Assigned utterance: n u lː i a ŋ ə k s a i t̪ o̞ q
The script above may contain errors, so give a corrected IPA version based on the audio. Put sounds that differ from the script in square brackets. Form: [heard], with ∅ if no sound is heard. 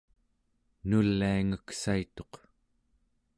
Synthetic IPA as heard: n u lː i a ŋ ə k s a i t̪ o̞ q